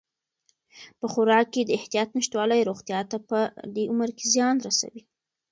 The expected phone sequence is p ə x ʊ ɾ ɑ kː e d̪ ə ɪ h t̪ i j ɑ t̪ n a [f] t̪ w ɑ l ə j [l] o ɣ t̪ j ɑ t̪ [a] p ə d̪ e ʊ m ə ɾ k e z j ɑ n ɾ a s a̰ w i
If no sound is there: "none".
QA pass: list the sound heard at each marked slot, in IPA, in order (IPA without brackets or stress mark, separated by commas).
ʃ, ɾ, a